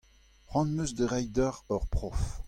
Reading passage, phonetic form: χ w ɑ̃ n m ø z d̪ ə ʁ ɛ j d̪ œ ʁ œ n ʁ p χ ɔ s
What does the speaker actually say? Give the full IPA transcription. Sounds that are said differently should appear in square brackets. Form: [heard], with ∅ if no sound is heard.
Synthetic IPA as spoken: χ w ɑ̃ n m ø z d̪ ə ʁ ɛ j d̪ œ ʁ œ [∅] ʁ p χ ɔ [f]